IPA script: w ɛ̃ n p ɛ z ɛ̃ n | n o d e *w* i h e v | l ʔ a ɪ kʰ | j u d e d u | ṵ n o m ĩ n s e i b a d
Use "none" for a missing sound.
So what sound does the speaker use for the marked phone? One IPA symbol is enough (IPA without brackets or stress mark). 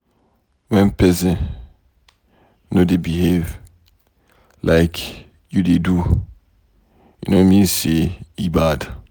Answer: b